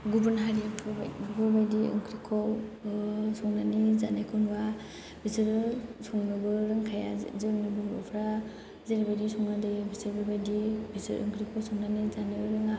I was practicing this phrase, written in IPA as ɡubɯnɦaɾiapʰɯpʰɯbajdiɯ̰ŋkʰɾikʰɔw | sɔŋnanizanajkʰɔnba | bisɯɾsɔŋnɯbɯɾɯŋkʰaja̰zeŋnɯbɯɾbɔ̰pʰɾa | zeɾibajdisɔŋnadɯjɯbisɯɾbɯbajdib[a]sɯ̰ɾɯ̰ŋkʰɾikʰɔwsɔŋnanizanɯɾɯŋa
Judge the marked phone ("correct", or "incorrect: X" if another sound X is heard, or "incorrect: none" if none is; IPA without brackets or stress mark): incorrect: i